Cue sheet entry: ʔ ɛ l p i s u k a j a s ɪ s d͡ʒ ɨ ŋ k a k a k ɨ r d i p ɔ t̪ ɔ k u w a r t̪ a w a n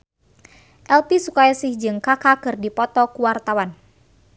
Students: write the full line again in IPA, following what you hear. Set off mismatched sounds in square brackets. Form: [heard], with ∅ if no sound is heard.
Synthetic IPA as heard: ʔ ɛ l p i s u k a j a s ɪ [h] d͡ʒ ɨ ŋ k a k a k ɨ r d i p ɔ t̪ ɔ k u w a r t̪ a w a n